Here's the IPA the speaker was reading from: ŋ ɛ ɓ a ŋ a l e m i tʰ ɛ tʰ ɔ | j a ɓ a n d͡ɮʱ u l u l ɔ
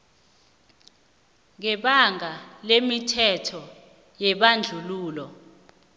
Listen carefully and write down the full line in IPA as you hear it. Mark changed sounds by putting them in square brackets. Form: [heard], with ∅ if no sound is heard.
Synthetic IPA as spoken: ŋ ɛ ɓ a ŋ a l e m i tʰ ɛ tʰ ɔ | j [ɛ] ɓ a n d͡ɮʱ u l [uː] l ɔ